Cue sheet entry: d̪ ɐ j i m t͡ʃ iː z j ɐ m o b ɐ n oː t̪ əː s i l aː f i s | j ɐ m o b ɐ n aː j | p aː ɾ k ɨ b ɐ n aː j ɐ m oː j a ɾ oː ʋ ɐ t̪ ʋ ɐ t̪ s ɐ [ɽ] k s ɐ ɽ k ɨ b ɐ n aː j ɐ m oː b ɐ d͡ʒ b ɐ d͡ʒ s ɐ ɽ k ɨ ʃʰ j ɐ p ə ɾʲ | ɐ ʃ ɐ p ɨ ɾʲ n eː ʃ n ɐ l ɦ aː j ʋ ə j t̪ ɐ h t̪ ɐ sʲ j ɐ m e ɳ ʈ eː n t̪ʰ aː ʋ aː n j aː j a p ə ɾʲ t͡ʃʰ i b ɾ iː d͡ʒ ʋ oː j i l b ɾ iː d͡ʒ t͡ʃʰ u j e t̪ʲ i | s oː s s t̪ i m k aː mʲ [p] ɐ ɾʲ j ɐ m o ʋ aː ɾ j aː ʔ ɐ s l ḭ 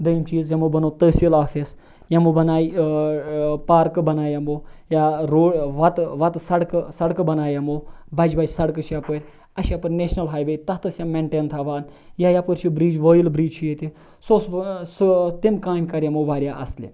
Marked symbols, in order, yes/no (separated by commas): yes, no